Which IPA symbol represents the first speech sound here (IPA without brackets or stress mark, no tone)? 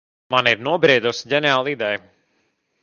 m